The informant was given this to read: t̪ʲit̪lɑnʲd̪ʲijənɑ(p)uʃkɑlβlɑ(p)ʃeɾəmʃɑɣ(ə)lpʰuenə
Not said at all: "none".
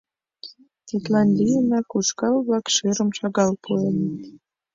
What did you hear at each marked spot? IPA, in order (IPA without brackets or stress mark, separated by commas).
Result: k, k, ɑ